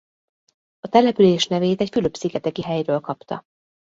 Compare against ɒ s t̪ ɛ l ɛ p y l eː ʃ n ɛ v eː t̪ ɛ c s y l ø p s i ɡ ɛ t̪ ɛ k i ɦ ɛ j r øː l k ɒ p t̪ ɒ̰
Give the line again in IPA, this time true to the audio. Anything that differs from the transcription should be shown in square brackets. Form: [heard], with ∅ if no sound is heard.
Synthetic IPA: ɒ [∅] t̪ ɛ l ɛ p y l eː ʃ n ɛ v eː t̪ ɛ c [f] y l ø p s i ɡ ɛ t̪ ɛ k i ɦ ɛ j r øː l k ɒ p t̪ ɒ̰

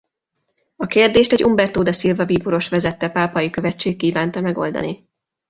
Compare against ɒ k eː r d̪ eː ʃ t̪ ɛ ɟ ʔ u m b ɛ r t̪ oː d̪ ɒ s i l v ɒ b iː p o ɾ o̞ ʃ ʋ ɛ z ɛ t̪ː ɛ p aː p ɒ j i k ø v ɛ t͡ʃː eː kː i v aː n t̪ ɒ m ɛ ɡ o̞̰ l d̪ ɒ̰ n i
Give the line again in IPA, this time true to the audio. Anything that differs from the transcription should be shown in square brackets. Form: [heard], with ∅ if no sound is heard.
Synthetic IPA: ɒ k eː r d̪ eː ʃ t̪ ɛ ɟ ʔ u m b ɛ r t̪ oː d̪ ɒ s i l v ɒ b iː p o ɾ o̞ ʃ ʋ ɛ z ɛ t̪ː ɛ p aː p ɒ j i k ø v ɛ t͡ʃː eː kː [iː] v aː n t̪ ɒ m ɛ ɡ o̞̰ l d̪ ɒ̰ n i

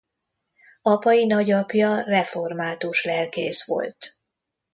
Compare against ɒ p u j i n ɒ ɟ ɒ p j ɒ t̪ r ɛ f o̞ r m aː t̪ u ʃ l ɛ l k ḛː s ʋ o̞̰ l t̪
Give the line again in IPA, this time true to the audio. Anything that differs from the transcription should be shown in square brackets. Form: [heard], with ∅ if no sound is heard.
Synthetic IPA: ɒ p [ɒ] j i n ɒ ɟ ɒ p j ɒ [∅] r ɛ f o̞ r m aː t̪ u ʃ l ɛ l k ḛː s ʋ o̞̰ l t̪

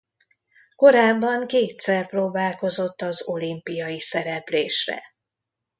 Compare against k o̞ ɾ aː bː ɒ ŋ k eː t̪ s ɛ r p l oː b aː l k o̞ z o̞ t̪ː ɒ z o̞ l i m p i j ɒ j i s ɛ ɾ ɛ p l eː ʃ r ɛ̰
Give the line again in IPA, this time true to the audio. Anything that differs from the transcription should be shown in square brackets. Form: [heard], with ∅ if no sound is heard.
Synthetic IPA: k o̞ ɾ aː bː ɒ ŋ k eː t̪ s ɛ r p [r] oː b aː l k o̞ z o̞ t̪ː ɒ z o̞ l i m p i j ɒ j i s ɛ ɾ ɛ p l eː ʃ r ɛ̰

